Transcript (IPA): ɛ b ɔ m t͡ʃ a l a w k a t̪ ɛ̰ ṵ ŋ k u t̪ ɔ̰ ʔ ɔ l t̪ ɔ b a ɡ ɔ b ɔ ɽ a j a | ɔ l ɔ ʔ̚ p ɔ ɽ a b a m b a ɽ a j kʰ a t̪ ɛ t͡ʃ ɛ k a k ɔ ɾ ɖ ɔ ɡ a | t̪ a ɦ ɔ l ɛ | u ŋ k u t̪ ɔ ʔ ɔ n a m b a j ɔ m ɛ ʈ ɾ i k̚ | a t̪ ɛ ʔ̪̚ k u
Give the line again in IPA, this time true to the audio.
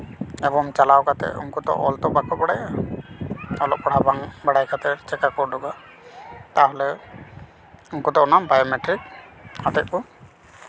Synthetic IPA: ɛ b ɔ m t͡ʃ a l a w k a t̪ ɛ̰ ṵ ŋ k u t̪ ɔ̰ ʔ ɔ l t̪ ɔ b a k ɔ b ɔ ɽ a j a | ɔ l ɔ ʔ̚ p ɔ ɽ a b a ŋ b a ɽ a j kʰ a t̪ ɛ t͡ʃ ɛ k a k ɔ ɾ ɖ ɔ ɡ a | t̪ a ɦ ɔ l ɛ | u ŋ k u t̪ ɔ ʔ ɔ n a m b a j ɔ m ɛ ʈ ɾ i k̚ | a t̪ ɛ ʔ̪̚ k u